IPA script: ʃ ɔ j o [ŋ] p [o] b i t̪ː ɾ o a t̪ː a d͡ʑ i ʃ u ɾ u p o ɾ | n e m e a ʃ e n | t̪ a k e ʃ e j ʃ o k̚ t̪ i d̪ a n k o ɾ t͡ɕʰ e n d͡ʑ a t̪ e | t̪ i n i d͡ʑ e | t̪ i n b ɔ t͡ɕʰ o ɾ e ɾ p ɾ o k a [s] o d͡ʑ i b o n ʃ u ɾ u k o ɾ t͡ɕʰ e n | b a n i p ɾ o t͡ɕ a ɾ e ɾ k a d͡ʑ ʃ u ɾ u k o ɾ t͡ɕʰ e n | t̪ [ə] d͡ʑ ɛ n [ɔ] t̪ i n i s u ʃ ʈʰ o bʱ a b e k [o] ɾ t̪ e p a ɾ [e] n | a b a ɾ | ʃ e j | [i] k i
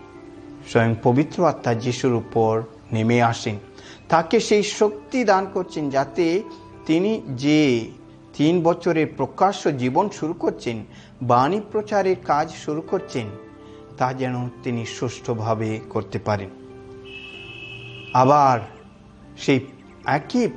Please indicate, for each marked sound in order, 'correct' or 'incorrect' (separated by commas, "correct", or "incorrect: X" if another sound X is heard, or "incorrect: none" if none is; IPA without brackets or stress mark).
correct, correct, incorrect: ʃ, incorrect: a, incorrect: o, correct, correct, incorrect: ɛ